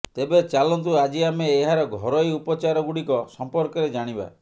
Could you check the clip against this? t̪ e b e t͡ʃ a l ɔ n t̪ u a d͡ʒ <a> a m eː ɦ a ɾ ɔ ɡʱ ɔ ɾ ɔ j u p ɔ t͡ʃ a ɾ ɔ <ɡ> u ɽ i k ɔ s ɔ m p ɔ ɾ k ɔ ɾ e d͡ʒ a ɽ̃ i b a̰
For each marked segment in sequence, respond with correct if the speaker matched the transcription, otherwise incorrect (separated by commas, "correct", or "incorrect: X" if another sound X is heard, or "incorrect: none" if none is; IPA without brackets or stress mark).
incorrect: i, correct